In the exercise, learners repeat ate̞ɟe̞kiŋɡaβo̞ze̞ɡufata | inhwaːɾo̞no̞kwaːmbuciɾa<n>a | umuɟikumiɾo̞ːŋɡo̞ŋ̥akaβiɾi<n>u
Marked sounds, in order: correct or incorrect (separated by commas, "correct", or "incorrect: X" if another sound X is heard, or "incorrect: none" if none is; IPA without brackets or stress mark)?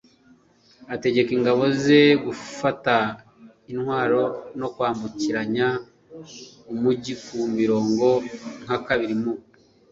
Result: incorrect: ɲ, incorrect: m